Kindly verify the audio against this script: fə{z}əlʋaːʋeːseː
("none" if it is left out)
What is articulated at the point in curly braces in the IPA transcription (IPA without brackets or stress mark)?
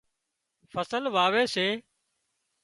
s